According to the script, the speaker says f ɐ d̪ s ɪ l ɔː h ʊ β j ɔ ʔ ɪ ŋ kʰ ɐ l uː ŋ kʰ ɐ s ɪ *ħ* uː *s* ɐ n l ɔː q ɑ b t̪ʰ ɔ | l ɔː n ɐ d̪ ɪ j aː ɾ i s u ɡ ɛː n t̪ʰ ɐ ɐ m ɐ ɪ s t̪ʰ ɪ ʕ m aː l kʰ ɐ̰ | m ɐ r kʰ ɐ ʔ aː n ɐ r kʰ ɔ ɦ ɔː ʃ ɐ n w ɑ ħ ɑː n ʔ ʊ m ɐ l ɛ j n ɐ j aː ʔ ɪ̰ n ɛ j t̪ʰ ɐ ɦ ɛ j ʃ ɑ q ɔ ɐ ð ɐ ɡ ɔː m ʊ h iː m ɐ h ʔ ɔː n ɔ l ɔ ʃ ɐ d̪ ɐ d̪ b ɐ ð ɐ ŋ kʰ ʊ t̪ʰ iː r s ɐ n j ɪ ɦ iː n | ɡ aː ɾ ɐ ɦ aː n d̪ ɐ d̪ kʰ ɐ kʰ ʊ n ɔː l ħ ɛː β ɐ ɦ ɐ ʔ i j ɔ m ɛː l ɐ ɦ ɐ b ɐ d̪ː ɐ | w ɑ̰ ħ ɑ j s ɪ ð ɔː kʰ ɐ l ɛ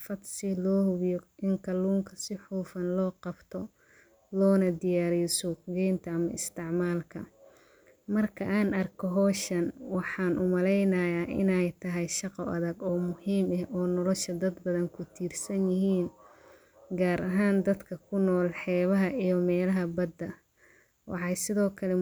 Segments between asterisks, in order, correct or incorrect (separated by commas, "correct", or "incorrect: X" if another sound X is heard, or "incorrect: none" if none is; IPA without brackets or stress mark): correct, incorrect: f